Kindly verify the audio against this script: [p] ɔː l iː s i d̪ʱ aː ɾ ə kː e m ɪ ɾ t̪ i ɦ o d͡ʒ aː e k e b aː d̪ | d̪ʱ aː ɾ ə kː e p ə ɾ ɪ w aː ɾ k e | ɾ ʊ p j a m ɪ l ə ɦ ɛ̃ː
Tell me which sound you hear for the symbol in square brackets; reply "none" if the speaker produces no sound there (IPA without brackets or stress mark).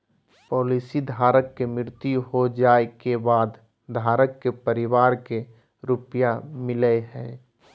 p